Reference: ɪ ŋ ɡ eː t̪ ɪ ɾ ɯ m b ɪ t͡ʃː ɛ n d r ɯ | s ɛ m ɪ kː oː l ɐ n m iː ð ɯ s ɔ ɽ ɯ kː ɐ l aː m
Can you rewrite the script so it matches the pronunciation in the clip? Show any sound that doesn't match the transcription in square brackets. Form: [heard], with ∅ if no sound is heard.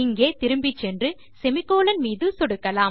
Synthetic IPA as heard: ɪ ŋ ɡ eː t̪ ɪ ɾ ɯ m b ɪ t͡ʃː ɛ n d r ɯ | s ɛ m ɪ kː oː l ɐ n m iː ð ɯ s ɔ ɽ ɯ kː ɐ l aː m